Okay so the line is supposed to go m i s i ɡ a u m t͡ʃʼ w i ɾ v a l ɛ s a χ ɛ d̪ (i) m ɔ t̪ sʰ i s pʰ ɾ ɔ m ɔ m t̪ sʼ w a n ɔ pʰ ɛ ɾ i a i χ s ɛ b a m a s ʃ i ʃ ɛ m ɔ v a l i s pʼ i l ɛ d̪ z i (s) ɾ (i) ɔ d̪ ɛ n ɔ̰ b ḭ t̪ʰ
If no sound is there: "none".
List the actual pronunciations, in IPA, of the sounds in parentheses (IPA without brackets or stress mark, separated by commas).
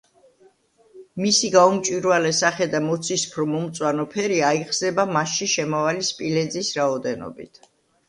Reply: a, s, a